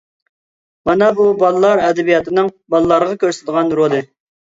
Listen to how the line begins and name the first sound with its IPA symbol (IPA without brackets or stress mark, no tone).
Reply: m